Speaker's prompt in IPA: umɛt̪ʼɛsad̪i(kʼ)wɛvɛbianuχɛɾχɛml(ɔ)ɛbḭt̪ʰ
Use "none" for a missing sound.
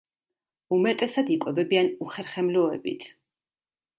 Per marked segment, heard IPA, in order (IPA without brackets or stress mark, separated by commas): kʼ, ɔ